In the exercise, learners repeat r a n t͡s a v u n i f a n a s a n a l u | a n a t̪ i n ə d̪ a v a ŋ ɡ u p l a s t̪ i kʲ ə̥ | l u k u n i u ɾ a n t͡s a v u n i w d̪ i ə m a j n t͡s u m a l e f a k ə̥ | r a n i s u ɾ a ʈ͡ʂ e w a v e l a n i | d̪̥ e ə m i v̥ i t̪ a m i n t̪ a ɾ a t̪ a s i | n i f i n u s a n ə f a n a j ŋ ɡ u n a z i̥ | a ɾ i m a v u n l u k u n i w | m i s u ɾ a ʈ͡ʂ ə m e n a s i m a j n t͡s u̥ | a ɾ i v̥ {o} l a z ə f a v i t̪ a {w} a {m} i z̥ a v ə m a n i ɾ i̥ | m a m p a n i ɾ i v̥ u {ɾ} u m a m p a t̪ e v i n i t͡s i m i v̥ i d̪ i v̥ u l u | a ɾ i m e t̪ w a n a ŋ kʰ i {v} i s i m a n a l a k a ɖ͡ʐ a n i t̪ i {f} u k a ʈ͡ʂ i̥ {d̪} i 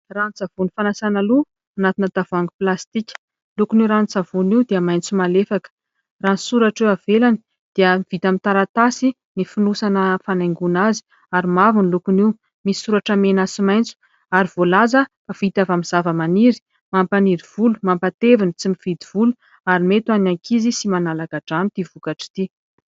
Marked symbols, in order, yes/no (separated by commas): yes, no, yes, no, no, no, no